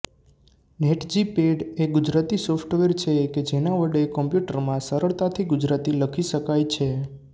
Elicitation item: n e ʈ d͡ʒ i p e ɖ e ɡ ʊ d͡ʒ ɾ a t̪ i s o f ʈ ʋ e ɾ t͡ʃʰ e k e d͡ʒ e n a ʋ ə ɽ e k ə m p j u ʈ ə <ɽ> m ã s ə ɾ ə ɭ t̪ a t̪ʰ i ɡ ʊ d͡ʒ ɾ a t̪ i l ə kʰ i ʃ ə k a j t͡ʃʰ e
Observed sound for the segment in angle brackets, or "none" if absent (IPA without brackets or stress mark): ɾ